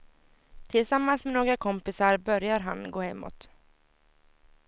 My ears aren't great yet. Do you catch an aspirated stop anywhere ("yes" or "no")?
yes